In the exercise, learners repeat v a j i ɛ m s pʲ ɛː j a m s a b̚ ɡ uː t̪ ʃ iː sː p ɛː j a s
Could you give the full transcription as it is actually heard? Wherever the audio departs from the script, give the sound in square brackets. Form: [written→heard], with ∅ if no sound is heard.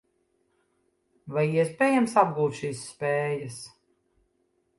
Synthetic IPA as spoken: v a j i ɛ [m→∅] s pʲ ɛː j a m s a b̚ ɡ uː t̪ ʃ iː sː p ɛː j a s